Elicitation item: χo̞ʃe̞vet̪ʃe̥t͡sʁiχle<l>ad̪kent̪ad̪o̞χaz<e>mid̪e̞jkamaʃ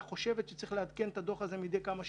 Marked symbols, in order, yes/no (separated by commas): no, yes